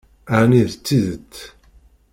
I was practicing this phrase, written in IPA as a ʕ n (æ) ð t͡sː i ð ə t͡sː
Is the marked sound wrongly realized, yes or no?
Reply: yes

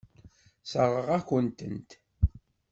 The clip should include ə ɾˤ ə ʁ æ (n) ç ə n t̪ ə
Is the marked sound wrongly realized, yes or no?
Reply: yes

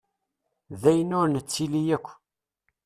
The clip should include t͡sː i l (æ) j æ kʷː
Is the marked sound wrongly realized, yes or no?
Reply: yes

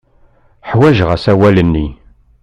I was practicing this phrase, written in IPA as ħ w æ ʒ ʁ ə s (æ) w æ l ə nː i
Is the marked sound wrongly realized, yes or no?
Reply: no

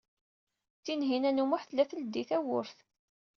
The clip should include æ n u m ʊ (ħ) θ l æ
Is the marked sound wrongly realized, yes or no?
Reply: no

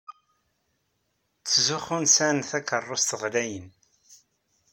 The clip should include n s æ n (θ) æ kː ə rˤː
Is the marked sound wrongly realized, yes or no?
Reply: no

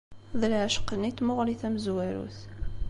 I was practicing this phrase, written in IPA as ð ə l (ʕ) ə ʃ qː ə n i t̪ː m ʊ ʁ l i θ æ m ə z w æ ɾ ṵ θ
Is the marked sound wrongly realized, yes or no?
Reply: no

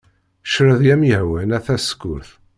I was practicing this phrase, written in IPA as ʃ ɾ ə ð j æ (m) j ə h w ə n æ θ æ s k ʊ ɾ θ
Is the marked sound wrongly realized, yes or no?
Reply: no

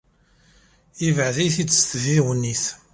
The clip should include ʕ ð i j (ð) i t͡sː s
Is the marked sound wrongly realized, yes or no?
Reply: yes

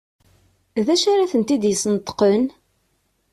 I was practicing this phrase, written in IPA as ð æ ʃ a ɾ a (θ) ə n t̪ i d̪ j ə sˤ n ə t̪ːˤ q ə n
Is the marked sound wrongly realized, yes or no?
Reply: no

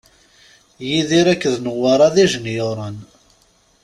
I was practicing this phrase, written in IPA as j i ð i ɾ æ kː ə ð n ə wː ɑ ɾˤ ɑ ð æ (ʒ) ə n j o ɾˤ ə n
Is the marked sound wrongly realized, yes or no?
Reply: no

